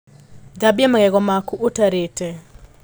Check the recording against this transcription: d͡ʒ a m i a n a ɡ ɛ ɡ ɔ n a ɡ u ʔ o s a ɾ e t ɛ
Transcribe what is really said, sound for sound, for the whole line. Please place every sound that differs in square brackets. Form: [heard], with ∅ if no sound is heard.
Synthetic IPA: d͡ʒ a [b] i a [m] a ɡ ɛ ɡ ɔ [m] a [k] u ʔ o [t] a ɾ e t ɛ